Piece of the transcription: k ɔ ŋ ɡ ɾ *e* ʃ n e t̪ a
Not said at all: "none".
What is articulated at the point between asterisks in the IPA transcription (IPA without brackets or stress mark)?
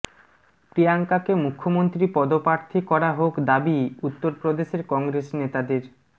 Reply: e